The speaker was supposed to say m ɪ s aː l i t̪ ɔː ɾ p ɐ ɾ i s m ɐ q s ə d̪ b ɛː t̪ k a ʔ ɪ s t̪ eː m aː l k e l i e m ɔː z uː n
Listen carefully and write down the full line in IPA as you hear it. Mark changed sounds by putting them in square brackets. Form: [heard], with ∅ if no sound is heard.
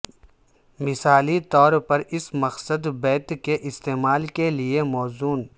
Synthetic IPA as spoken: m ɪ s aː l i t̪ ɔː ɾ p ɐ ɾ [ɪ] s m ɐ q s ə d̪ b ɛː t̪ k [e] ʔ ɪ s t̪ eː m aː l k e l i e m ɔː z uː n